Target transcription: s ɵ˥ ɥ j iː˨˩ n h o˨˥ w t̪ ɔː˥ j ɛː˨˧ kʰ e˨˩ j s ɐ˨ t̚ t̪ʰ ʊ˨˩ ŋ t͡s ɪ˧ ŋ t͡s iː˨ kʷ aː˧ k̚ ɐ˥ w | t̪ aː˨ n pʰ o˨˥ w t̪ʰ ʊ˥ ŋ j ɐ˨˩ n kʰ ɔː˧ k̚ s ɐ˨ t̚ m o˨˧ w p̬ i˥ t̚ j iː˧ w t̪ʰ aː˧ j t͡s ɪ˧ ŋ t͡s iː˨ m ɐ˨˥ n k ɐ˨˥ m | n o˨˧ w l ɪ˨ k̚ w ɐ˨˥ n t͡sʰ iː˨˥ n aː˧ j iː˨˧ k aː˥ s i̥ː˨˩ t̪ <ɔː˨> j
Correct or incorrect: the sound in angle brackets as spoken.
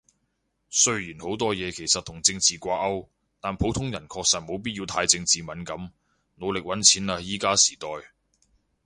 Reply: correct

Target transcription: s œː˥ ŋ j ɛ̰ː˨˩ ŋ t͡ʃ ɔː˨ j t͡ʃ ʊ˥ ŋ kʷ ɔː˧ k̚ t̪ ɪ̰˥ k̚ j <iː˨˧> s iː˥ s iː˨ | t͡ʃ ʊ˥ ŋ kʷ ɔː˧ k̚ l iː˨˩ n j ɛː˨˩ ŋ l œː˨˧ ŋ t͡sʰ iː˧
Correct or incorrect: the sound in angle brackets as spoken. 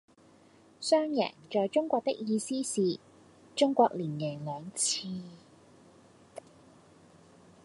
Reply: correct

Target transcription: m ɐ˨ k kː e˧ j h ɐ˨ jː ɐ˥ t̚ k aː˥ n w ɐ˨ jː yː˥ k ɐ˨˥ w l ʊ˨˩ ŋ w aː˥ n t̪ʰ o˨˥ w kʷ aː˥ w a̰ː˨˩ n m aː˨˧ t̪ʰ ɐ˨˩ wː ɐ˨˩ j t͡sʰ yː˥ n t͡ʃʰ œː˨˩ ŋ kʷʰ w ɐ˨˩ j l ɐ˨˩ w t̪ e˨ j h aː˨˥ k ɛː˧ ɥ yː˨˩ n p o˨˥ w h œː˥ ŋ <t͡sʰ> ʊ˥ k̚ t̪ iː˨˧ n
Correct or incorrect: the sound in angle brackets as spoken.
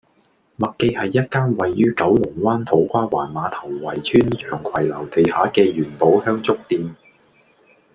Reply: incorrect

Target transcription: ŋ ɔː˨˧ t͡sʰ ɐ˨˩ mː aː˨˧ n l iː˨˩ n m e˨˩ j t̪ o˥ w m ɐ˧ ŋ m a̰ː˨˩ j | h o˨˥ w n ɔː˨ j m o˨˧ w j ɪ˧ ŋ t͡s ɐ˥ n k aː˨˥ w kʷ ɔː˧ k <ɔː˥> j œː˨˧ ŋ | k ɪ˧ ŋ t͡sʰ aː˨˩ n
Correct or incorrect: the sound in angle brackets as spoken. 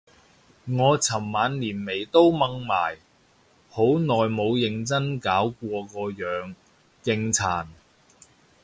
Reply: incorrect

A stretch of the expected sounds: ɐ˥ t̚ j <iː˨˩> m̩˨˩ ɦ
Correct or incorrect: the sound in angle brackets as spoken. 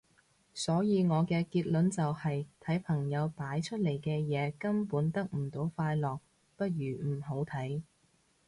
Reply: incorrect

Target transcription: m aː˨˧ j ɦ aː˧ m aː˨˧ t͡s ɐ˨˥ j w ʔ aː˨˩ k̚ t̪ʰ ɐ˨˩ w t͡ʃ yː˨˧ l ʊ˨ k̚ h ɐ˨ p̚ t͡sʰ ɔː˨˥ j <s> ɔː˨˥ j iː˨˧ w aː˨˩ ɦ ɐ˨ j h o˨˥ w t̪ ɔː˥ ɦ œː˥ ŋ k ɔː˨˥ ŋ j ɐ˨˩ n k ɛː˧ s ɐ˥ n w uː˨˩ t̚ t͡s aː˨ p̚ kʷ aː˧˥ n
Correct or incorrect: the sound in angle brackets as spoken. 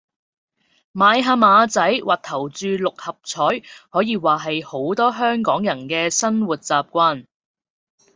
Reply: incorrect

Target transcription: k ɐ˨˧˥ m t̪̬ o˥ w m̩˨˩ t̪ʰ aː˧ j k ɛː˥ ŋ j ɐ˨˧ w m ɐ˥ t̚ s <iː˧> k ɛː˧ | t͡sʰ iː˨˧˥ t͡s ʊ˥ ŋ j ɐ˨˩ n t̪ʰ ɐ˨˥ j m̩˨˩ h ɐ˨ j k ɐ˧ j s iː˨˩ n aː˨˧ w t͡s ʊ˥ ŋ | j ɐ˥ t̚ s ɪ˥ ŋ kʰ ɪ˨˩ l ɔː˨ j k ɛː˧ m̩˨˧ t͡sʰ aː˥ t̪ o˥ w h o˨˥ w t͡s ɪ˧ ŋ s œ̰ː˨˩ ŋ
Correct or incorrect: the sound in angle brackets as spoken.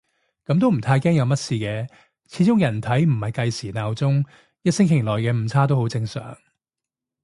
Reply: correct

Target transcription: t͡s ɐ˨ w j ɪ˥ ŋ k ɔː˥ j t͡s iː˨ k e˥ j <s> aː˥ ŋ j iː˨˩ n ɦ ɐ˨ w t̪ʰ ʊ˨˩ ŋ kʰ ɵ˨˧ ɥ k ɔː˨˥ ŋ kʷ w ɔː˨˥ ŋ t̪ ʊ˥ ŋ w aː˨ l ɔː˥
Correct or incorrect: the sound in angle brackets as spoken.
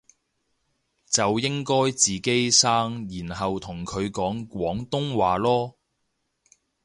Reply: correct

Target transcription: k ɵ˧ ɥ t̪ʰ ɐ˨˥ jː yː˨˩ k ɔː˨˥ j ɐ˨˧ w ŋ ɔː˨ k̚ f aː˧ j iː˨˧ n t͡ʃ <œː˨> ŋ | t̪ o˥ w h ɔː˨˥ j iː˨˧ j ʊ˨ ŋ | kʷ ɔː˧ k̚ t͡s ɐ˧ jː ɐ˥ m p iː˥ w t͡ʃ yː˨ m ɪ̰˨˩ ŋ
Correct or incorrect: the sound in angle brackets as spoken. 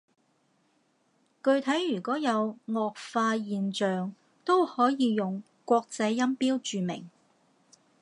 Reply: correct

